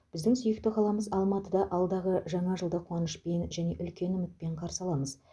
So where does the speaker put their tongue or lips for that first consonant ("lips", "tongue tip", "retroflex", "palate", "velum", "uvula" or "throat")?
lips